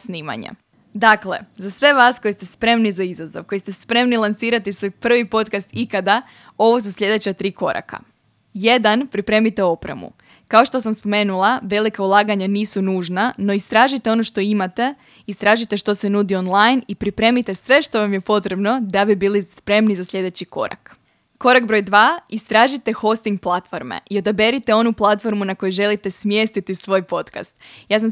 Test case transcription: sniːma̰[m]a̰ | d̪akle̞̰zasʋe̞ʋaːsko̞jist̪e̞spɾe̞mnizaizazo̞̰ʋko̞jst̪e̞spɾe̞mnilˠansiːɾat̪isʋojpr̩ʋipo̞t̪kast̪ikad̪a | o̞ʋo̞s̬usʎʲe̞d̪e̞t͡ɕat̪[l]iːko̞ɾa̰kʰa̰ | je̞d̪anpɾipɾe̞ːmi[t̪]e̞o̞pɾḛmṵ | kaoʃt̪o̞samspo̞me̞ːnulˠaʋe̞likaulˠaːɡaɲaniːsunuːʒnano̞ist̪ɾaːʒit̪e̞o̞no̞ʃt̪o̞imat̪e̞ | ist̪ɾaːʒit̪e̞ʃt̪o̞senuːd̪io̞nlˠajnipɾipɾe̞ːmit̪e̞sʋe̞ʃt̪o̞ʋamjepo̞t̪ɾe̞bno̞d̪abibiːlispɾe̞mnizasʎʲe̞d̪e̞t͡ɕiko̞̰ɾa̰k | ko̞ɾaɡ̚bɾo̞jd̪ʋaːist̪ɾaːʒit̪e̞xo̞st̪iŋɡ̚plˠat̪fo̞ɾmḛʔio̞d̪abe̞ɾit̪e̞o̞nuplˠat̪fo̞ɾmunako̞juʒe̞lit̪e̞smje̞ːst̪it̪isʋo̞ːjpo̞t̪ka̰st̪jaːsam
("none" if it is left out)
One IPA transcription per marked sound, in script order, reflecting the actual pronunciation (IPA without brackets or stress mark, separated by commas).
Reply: ɲ, ɾ, t̪